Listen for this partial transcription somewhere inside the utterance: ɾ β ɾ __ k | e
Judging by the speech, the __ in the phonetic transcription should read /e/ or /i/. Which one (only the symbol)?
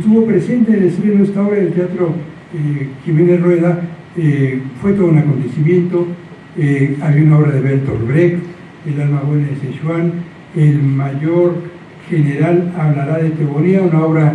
e